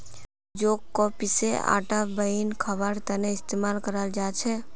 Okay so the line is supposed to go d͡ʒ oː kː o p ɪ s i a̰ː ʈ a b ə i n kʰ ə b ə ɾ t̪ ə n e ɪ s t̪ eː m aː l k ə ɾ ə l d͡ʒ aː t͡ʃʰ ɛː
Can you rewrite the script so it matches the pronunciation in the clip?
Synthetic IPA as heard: d͡ʒ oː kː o p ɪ s e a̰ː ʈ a b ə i n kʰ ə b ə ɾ t̪ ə n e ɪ s t̪ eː m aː l k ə ɾ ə l d͡ʒ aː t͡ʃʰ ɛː